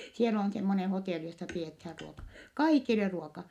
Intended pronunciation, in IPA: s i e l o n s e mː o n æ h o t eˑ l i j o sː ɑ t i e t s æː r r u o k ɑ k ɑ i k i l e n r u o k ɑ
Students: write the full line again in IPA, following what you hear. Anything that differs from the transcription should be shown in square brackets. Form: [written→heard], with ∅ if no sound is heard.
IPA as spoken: s i e l o n s e mː o n [æ→e] h o t eˑ l i j o sː ɑ [t→p] i e t [s→h] æː r r u o k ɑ k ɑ i k i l e [n→∅] r u o k ɑ